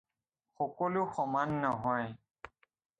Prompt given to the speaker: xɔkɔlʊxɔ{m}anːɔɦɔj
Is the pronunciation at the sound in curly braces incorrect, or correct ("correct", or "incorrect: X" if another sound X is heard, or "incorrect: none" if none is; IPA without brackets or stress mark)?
correct